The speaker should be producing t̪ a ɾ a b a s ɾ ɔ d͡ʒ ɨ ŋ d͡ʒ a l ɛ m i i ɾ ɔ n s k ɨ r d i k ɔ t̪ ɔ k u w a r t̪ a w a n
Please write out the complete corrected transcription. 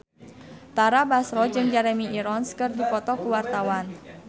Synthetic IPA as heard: t̪ a ɾ a b a s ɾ ɔ d͡ʒ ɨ ŋ d͡ʒ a ɾ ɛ m i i ɾ ɔ n s k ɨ r d i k ɔ t̪ ɔ k u w a r t̪ a w a n